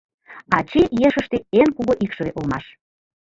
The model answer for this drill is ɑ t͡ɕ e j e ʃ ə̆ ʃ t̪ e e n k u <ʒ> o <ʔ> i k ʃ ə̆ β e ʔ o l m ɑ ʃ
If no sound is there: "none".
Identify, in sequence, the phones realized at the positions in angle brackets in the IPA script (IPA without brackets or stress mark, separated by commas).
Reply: ɣ, ʔ